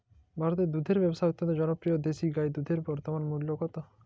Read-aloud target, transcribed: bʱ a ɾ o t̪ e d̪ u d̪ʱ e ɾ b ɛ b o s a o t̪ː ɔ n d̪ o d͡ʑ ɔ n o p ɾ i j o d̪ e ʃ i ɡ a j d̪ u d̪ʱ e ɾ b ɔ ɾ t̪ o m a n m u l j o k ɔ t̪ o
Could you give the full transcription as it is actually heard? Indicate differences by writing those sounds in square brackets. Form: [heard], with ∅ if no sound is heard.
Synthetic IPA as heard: bʱ a ɾ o t̪ e d̪ u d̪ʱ e ɾ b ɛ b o s a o t̪ː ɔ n [t̪] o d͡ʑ ɔ n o p ɾ i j o d̪ e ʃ i ɡ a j d̪ u d̪ʱ e ɾ b ɔ ɾ t̪ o m a n m u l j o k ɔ t̪ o